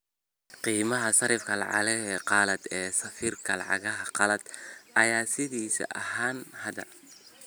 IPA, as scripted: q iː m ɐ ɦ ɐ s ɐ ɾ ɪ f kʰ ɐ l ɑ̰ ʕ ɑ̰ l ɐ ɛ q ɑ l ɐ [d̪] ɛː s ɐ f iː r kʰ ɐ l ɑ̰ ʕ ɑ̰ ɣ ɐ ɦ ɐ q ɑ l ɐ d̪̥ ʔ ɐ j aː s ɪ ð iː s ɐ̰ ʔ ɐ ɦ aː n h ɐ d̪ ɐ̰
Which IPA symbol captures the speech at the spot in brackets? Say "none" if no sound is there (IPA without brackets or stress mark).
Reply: d̪